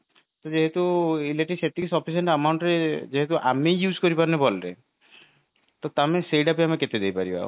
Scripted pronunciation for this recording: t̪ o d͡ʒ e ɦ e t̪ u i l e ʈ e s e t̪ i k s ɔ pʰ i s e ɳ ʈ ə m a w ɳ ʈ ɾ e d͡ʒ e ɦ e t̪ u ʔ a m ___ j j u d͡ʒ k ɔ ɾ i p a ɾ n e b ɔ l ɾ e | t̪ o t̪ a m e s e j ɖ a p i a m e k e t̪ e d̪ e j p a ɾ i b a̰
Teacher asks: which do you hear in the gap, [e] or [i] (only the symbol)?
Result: e